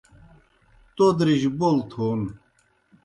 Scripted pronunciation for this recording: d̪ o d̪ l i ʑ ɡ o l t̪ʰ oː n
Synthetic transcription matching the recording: t̪ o d̪ ɾ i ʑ b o l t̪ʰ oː n

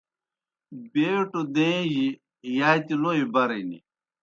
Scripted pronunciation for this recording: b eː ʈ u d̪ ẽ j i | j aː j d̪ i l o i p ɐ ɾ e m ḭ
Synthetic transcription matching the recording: b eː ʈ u d̪ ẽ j i | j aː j t̪ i l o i b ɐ ɾ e n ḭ

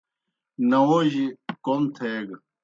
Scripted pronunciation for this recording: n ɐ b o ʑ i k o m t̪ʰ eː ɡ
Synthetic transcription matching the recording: n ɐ w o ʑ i k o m t̪ʰ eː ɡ

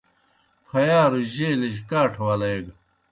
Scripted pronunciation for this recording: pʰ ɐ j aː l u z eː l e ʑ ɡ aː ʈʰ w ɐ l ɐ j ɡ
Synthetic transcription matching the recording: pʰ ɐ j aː ɾ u ʑ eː l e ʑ k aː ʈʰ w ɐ l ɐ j ɡ

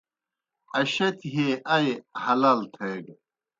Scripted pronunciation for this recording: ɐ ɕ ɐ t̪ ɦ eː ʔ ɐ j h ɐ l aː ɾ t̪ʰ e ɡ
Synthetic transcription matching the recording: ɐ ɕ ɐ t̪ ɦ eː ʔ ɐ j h ɐ l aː l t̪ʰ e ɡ

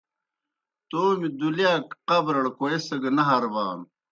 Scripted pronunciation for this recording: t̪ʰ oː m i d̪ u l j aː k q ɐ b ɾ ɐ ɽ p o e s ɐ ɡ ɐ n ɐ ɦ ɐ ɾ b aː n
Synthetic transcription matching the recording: t̪ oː m i d̪ u l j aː k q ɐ b ɾ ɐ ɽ k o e s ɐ ɡ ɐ n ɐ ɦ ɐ ɾ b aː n

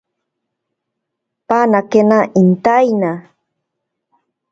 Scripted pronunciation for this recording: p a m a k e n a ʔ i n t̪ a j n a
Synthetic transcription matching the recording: p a n a k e n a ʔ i n t̪ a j n a

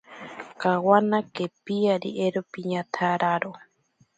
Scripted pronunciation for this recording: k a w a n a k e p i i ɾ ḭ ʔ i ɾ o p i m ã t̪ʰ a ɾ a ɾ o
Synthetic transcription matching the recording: k a w a n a k e p i a ɾ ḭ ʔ e ɾ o p i ɲ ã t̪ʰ a ɾ a ɾ o

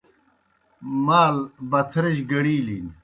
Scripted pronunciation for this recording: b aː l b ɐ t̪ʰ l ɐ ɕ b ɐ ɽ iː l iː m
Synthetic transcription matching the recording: m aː l b ɐ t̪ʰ ɾ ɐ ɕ ɡ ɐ ɽ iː l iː n

